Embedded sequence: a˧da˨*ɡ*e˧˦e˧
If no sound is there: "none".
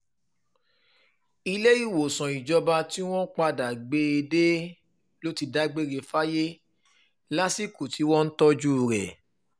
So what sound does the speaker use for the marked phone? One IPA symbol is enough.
ɡ͡b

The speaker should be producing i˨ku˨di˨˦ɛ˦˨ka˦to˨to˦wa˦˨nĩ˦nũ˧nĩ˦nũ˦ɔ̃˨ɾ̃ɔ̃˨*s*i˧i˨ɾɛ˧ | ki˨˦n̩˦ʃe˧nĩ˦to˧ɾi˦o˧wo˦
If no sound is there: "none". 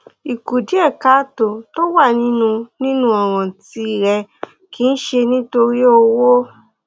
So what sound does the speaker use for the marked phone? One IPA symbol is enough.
t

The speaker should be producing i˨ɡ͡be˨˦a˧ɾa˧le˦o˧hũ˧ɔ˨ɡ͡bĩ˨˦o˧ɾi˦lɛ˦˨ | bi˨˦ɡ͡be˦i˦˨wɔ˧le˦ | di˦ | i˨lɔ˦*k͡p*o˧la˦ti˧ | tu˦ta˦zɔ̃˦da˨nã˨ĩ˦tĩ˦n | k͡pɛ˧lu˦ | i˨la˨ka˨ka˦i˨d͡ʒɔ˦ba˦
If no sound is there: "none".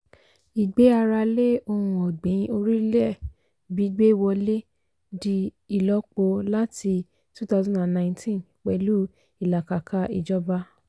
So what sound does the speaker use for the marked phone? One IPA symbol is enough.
k͡p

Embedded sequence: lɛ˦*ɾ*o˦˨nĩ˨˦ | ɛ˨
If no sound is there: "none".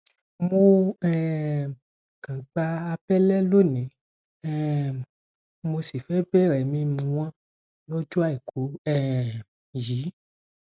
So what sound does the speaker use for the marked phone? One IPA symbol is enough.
l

